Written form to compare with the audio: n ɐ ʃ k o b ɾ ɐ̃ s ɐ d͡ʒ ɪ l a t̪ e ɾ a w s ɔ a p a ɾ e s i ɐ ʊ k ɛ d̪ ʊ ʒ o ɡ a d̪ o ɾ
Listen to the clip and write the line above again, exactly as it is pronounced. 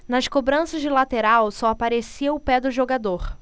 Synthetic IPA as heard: n ɐ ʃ k o b ɾ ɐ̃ s ɐ d͡ʒ ɪ l a t̪ e ɾ a w s ɔ a p a ɾ e s i ɐ ʊ p ɛ d̪ ʊ ʒ o ɡ a d̪ o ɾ